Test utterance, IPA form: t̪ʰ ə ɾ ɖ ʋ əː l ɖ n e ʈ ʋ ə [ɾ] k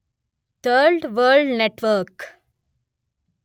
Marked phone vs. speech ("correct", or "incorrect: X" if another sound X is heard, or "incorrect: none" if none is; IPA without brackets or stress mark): correct